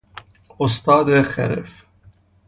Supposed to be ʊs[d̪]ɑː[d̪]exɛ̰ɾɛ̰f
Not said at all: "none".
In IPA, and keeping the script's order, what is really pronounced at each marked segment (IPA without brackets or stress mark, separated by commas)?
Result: t̪, d̪